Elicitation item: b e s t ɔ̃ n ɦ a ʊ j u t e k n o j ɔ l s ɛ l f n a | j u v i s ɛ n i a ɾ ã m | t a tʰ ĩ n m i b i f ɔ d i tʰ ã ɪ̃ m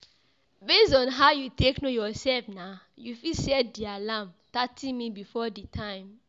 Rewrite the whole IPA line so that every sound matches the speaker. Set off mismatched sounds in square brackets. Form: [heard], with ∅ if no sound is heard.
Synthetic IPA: b e s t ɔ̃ n ɦ a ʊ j u t e k n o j ɔ [∅] s ɛ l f n a | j u [f] i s ɛ [d] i a [l] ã m | t a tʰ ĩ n m i b i f ɔ d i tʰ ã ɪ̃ m